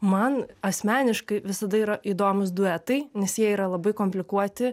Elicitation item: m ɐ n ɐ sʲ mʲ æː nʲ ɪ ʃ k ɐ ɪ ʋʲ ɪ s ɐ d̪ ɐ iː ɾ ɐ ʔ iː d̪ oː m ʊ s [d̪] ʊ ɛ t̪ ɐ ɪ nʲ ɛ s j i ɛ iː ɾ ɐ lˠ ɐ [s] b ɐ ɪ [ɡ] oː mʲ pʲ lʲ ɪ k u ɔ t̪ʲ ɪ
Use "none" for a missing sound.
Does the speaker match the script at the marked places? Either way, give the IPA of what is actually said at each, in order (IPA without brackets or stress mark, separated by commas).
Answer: d̪, none, k